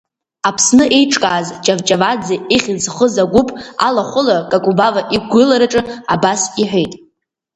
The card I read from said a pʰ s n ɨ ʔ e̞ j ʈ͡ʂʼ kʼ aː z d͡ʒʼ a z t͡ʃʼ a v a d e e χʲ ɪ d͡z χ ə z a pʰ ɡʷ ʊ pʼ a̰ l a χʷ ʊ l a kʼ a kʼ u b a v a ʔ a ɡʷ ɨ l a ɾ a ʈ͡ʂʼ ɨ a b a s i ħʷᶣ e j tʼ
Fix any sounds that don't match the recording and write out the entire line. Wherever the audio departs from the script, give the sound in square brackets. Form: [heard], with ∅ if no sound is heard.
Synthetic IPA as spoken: a pʰ s n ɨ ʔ e̞ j ʈ͡ʂʼ kʼ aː z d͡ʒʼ a [v] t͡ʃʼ a v a [d͡z] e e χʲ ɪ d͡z χ ə z a [∅] ɡʷ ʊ pʼ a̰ l a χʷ ʊ l a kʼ a kʼ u b a v a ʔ [i] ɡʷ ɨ l a ɾ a ʈ͡ʂʼ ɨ a b a s i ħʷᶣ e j tʼ